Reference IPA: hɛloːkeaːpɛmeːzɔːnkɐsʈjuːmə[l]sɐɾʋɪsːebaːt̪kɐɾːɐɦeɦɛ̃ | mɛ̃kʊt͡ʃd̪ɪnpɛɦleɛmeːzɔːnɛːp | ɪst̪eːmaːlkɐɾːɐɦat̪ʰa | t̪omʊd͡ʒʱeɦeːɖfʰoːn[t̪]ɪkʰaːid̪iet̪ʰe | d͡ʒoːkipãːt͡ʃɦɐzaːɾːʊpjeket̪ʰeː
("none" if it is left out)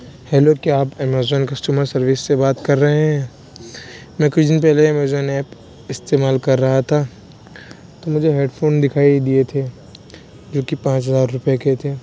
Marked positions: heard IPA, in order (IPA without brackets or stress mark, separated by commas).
ɾ, d̪